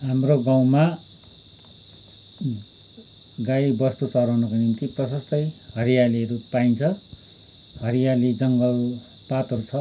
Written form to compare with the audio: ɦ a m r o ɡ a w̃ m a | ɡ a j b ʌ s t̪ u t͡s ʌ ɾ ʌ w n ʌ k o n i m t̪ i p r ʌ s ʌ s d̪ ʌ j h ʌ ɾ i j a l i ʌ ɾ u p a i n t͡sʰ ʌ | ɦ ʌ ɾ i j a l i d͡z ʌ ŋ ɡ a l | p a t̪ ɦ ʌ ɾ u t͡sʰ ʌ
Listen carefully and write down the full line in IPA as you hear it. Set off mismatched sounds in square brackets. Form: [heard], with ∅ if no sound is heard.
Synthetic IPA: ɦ a m r o ɡ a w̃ m a | ɡ a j b ʌ s t̪ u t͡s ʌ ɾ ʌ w n ʌ k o n i m t̪ i p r ʌ s ʌ s [t̪] ʌ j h ʌ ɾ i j a l i ʌ ɾ u p a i n t͡sʰ ʌ | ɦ ʌ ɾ i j a l i d͡z ʌ ŋ ɡ [ʌ] l | p a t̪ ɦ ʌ ɾ u t͡sʰ ʌ